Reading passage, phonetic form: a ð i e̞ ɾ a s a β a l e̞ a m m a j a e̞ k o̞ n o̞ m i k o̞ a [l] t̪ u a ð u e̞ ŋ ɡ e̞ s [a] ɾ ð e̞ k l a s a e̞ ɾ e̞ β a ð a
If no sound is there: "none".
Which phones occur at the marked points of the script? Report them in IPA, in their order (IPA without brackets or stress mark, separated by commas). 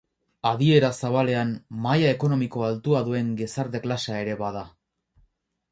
l, a